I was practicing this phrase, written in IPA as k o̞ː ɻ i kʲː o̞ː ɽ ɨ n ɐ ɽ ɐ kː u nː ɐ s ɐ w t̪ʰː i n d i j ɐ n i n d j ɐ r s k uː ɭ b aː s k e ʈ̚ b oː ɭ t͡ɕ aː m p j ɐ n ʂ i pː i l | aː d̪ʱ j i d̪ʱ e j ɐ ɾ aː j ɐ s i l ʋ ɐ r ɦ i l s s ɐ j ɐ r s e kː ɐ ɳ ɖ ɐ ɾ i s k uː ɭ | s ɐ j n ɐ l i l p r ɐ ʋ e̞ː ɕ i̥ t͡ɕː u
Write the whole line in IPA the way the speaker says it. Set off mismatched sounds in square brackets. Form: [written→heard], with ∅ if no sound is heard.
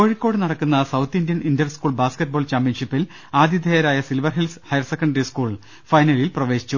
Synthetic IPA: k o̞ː ɻ i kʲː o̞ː ɽ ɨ n ɐ ɽ ɐ kː u nː ɐ s ɐ w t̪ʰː i n d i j ɐ n i n d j ɐ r s k uː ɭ b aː s k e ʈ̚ b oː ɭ t͡ɕ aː m p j ɐ n ʂ i pː i l | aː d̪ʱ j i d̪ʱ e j ɐ ɾ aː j ɐ s i l ʋ ɐ r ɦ i l s [s→h] ɐ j ɐ r s e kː ɐ ɳ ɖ ɐ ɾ i s k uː ɭ | [s→f] ɐ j n ɐ l i l p r ɐ ʋ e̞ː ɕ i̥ t͡ɕː u